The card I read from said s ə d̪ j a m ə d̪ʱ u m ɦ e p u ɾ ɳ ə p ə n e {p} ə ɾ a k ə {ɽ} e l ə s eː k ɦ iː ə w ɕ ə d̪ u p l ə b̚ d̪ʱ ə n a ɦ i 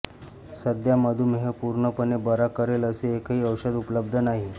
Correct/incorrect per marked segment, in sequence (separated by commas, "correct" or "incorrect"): incorrect, incorrect